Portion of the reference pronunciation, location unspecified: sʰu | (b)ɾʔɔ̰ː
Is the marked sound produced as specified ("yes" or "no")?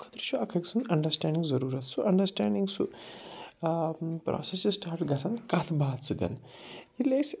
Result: no